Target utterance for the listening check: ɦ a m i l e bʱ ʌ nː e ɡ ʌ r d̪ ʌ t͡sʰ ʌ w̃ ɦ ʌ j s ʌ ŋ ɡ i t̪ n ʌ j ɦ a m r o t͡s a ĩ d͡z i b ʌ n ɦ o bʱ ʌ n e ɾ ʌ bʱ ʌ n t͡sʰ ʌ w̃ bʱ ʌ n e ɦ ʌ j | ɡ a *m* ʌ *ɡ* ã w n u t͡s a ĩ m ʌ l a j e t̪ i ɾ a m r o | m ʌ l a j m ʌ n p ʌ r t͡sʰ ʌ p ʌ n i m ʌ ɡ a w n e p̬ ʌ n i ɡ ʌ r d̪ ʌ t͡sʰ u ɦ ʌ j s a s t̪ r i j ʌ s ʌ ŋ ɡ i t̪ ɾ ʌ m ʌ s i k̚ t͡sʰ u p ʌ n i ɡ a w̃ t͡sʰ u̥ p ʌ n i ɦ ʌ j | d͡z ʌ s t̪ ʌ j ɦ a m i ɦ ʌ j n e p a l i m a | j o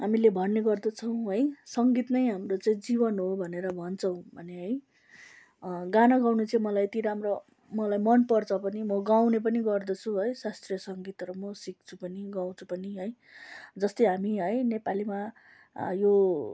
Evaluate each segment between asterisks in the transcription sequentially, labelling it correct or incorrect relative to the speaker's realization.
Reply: incorrect: n, correct

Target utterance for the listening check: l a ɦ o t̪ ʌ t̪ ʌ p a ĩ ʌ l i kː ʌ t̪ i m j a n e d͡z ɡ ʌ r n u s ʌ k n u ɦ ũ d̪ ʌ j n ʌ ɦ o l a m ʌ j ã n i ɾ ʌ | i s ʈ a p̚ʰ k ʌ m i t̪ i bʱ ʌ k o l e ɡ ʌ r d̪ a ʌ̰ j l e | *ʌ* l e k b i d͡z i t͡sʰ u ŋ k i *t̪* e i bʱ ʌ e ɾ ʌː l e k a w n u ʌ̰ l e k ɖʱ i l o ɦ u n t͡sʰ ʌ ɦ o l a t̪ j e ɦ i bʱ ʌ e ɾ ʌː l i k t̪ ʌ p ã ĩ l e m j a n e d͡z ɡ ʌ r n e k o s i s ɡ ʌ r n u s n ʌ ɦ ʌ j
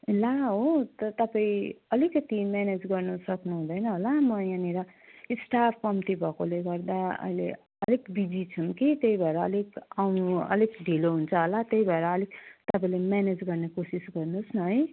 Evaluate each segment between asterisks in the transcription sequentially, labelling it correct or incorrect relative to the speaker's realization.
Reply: correct, correct

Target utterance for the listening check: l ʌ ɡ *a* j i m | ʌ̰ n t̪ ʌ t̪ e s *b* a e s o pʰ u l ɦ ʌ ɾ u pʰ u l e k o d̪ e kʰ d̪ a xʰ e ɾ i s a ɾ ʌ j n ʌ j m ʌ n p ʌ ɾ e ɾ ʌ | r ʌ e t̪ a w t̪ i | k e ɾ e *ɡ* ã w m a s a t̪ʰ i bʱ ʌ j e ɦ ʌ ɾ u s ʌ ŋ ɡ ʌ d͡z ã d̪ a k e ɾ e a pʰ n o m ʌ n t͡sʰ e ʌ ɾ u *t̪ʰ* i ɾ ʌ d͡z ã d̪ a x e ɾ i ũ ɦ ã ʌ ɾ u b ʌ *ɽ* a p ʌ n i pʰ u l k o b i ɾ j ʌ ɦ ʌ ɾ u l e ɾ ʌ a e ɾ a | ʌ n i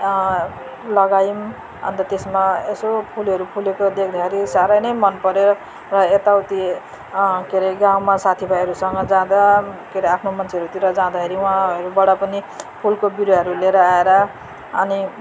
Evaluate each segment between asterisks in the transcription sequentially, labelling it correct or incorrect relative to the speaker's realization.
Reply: correct, incorrect: m, correct, incorrect: t̪, correct

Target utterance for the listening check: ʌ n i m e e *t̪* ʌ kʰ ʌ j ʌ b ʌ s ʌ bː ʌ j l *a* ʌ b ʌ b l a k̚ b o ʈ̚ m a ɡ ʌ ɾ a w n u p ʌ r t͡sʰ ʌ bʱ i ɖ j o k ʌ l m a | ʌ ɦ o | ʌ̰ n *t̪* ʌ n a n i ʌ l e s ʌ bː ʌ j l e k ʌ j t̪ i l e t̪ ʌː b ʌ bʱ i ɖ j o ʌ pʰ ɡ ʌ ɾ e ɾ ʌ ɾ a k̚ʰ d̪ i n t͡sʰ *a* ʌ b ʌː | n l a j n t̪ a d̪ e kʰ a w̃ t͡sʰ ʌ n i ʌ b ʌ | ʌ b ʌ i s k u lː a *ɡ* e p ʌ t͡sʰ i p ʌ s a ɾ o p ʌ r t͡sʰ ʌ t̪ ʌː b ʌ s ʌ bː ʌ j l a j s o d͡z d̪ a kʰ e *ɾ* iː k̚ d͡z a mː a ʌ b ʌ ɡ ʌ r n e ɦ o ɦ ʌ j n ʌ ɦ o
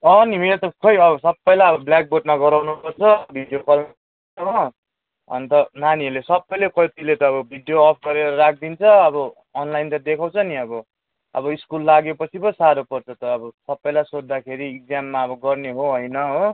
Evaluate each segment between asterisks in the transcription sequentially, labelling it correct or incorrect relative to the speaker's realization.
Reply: correct, correct, correct, incorrect: ʌ, correct, correct

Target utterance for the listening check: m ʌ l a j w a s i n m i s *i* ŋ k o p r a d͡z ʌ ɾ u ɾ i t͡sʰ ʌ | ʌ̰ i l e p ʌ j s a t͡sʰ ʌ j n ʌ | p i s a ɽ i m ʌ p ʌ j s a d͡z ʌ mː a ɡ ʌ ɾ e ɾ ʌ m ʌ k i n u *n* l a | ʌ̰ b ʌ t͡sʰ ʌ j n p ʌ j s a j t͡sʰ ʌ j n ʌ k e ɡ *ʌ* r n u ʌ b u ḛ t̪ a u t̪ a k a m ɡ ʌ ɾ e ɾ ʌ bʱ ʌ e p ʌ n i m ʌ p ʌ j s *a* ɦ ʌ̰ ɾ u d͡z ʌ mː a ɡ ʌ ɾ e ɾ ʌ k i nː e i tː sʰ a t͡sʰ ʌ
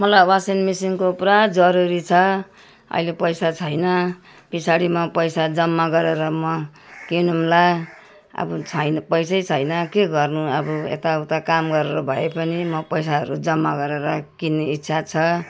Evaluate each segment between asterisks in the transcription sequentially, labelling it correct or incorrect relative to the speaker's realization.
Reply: correct, incorrect: m, correct, correct

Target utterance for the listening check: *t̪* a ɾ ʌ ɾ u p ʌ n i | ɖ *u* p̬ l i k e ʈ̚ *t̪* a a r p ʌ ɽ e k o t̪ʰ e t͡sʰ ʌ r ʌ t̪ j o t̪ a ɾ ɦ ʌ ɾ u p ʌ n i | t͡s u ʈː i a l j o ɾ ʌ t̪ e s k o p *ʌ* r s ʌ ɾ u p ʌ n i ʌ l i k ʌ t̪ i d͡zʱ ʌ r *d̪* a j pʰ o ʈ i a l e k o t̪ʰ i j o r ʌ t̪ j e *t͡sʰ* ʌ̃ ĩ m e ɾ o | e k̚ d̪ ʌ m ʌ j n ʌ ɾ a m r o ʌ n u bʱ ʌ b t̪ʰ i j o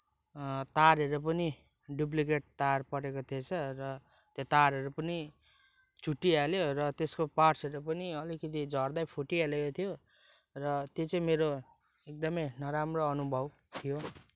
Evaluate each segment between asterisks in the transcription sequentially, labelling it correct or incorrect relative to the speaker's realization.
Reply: correct, correct, correct, incorrect: a, correct, incorrect: t͡s

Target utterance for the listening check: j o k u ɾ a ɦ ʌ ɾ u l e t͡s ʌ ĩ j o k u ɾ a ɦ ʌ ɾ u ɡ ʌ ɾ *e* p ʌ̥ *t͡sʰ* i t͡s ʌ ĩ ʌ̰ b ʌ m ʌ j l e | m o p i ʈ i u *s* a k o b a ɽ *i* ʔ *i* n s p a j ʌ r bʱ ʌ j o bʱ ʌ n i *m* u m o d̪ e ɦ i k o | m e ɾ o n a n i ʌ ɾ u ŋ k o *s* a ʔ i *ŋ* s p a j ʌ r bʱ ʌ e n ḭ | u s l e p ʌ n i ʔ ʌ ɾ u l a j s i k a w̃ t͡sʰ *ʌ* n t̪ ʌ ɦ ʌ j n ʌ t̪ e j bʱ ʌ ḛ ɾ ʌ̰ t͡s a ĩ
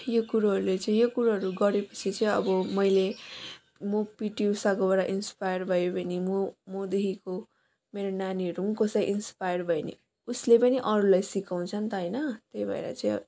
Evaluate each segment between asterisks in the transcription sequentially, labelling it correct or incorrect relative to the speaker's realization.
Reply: correct, correct, correct, incorrect: a, correct, correct, correct, incorrect: n, correct

